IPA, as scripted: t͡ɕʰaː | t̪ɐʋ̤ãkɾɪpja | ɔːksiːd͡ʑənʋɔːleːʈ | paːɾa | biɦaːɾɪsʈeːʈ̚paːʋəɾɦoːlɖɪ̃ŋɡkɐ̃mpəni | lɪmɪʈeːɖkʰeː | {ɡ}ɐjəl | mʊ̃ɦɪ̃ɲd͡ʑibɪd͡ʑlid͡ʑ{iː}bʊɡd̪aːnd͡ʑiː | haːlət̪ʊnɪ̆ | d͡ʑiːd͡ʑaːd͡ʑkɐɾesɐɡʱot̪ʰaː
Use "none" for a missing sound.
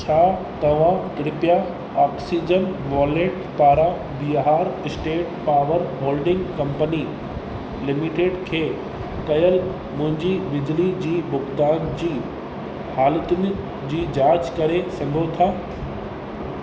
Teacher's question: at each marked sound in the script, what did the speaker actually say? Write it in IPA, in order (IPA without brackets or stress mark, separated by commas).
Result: k, iː